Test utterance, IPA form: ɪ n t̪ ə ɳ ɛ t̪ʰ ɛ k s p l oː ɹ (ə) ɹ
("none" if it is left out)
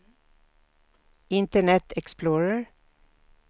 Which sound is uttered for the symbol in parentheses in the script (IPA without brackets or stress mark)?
ə